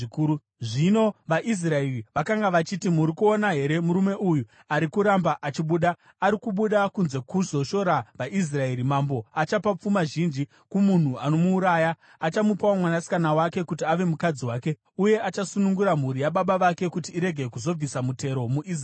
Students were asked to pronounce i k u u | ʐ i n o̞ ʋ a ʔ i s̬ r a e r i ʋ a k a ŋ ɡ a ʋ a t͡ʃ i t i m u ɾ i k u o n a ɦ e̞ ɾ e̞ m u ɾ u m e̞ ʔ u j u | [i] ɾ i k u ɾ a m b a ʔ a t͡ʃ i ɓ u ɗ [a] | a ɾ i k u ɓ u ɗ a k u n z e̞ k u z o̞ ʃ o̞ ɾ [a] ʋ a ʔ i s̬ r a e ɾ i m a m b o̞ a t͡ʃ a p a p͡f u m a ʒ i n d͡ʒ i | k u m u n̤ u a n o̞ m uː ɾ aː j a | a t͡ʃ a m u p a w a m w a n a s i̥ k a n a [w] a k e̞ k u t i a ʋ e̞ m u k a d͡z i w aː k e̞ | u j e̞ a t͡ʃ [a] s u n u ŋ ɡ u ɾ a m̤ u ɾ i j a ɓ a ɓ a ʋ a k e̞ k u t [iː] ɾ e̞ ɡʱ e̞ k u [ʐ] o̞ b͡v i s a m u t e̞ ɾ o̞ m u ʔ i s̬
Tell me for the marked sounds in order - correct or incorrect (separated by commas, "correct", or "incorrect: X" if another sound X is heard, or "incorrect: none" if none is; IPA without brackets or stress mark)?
incorrect: a, correct, correct, correct, correct, correct, incorrect: z